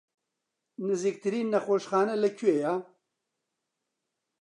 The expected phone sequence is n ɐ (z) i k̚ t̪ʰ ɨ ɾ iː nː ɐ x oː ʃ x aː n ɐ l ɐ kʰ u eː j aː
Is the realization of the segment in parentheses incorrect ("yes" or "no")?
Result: no